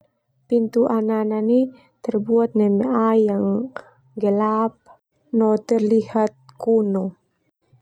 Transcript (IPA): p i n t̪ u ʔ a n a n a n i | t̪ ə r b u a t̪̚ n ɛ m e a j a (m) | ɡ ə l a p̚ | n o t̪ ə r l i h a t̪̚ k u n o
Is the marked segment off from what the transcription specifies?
yes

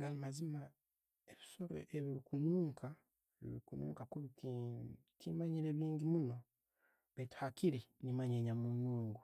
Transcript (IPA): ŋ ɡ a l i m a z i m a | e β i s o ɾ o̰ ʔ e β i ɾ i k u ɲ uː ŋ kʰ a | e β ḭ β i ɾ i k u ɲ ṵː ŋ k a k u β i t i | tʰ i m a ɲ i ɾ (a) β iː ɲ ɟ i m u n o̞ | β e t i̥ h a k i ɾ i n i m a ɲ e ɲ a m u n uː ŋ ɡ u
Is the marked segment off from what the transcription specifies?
yes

